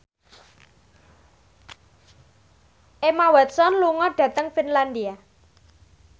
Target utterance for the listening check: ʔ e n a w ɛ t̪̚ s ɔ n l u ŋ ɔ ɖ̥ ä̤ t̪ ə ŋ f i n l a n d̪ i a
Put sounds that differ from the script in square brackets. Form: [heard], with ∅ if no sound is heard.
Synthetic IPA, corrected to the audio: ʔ e [m] a w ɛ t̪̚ s ɔ n l u ŋ ɔ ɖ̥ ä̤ t̪ ə ŋ f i n l a n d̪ i a